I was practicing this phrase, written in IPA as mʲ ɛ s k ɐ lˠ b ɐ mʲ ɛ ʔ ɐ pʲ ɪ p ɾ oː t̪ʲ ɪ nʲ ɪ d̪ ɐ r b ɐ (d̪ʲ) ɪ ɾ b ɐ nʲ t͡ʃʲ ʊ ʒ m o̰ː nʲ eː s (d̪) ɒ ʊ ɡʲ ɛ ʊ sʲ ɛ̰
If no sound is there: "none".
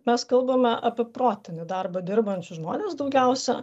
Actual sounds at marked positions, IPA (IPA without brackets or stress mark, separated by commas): d̪ʲ, d̪